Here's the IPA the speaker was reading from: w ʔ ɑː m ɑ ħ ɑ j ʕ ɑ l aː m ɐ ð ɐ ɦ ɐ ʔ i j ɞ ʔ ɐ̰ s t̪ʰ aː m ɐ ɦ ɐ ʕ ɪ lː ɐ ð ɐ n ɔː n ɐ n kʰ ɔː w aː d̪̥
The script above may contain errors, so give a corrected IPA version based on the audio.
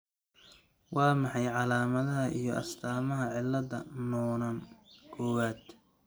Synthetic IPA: w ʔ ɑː m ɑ ħ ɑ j ʕ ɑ l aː m ɐ ð ɐ ɦ ɐ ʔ i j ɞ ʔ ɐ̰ s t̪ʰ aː m ɐ ɦ ɐ ʕ ɪ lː ɐ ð ɐ n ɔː n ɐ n kʰ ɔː w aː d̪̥

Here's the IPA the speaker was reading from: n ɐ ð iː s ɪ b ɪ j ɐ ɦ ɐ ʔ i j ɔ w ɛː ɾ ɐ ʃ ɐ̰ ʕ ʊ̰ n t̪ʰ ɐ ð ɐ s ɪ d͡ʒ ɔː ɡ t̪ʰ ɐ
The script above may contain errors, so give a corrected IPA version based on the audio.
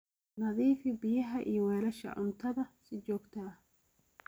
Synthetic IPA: n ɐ ð iː f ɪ b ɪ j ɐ ɦ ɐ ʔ i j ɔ w ɛː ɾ ɐ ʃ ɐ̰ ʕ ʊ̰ n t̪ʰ ɐ ð ɐ s ɪ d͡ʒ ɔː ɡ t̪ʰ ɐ

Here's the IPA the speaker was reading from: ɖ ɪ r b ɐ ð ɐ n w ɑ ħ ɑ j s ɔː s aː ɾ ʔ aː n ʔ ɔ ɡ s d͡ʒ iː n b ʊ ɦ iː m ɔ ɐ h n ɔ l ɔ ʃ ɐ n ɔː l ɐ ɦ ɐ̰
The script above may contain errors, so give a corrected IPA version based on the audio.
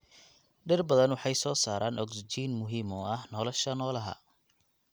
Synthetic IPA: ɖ ɪ r b ɐ ð ɐ n w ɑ ħ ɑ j s ɔː s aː ɾ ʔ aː n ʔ ɔ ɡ s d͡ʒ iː n m ʊ ɦ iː m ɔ ɐ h n ɔ l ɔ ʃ ɐ n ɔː l ɐ ɦ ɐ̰

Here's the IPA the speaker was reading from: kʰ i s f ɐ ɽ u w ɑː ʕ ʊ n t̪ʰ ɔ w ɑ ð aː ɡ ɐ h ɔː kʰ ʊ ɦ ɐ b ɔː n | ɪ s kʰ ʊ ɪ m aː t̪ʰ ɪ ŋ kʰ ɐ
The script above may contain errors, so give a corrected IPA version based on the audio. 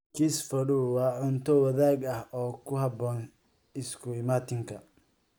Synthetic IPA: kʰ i s f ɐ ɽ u w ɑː ʕ ʊ n t̪ʰ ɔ w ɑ ð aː ɡ ɐ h ɔː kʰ ʊ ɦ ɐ b ɔː n | ɪ s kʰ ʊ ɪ m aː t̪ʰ ɪ ŋ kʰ ɐ

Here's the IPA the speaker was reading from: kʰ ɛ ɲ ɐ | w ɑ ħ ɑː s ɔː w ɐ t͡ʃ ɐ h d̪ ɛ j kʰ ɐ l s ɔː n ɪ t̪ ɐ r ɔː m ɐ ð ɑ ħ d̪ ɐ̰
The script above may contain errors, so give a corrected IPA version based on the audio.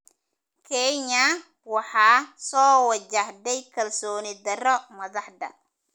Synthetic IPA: kʰ ɛ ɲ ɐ | w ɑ ħ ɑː s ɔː w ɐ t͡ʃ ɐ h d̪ ɛ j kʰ ɐ l s ɔː n ɪ d̪ ɐ r ɔ m ɐ ð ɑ ħ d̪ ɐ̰

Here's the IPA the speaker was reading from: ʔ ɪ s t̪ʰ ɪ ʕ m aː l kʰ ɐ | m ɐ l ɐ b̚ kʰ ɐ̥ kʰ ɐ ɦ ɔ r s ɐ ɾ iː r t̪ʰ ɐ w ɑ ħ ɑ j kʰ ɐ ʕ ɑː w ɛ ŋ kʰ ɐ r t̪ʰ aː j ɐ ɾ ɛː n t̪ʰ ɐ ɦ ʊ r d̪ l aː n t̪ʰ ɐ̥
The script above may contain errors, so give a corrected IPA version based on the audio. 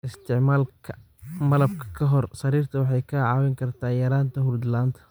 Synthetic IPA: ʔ ɪ s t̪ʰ ɪ ʕ m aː l kʰ ɐ | m ɐ l ɐ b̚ kʰ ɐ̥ kʰ ɐ ɦ ɔ r s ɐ ɾ iː r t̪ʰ ɐ w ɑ ħ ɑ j kʰ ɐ ʕ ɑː w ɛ ŋ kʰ ɐ r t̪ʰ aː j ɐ ɾ aː n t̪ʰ ɐ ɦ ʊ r d̪ l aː n t̪ʰ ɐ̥

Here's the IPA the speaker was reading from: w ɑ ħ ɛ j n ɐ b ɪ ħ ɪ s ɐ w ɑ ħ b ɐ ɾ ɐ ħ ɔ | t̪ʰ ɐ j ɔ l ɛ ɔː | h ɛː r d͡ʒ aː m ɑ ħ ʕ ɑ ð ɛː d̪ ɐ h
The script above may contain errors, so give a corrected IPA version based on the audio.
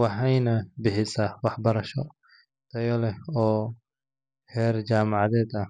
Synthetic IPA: w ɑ ħ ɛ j n ɐ b ɪ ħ ɪ s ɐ w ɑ ħ b ɐ ɾ ɐ ʃ ɔ | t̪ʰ ɐ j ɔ l ɛ ɔː | h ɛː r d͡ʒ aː m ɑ ʕ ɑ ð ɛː d̪ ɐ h

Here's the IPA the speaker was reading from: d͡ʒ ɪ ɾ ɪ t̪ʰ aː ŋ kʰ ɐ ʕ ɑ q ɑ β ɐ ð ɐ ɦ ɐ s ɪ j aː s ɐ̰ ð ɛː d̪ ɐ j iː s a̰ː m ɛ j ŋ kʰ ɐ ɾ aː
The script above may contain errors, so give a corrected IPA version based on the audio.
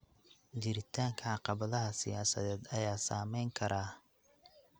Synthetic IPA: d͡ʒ ɪ ɾ ɪ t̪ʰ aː ŋ kʰ ɐ ʕ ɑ q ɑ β ɐ ð ɐ ɦ ɐ s ɪ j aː s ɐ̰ ð ɛː d̪ ɐ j aː s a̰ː m ɛ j ŋ kʰ ɐ ɾ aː

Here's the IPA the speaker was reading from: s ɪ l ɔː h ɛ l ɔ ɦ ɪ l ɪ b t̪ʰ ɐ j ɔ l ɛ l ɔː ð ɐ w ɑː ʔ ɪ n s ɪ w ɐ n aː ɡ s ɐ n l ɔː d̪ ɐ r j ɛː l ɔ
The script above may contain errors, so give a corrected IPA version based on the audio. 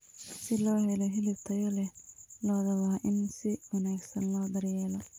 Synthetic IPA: s ɪ l ɔː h ɛ l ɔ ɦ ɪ l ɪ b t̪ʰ ɐ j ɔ l ɛ l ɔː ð ɐ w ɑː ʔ ɪ n s ɪ w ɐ n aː ɡ s ɐ n l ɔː d̪ ɐ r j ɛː l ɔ

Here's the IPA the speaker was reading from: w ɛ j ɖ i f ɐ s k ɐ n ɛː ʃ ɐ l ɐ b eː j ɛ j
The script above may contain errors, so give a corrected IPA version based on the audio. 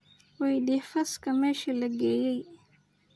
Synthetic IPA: w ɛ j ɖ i f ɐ s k ɐ m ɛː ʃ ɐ l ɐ ɡ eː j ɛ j

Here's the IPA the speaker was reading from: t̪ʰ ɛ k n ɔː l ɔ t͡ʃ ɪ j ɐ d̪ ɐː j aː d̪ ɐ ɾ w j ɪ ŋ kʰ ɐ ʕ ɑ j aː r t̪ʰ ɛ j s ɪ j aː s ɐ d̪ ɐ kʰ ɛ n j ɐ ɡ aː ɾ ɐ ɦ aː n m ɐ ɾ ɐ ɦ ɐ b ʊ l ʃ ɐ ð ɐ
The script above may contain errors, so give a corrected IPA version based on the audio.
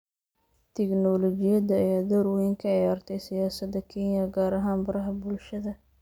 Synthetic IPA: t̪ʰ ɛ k n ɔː l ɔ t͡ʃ ɪ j ɐ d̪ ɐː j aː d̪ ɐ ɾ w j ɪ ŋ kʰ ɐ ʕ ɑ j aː r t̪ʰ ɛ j s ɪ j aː s ɐ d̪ ɐ kʰ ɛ n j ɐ ɡ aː ɾ ɐ ɦ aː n b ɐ ɾ ɐ ɦ ɐ b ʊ l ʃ ɐ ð ɐ

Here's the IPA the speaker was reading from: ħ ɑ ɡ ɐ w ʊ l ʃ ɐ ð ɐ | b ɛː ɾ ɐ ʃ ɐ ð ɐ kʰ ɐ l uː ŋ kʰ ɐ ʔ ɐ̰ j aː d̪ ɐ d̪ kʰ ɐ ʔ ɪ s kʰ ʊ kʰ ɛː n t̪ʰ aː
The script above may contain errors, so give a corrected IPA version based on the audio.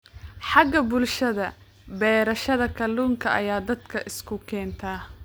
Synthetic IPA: ħ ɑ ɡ ɐ b ʊ l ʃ ɐ ð ɐ | b ɛː ɾ ɐ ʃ ɐ ð ɐ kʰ ɐ l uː ŋ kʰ ɐ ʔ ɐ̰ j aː d̪ ɐ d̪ kʰ ɐ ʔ ɪ s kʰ ʊ kʰ ɛː n t̪ʰ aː

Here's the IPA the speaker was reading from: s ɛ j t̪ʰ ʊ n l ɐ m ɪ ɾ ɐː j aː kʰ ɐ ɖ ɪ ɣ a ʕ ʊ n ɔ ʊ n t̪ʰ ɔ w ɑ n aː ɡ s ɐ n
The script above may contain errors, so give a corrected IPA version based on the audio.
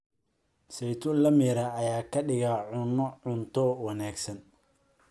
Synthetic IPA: s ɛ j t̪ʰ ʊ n l ɐ m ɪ ɾ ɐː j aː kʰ ɐ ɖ ɪ ɣ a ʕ ʊ n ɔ ʊ n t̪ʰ ɔ w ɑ n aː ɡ s ɐ n

